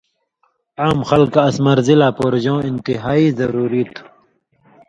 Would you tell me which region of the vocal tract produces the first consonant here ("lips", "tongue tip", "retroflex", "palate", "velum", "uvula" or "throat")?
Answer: lips